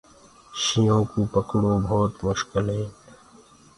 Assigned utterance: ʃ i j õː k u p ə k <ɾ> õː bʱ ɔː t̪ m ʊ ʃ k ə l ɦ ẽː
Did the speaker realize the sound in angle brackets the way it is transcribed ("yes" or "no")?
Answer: no